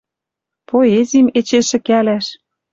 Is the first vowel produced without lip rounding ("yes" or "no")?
no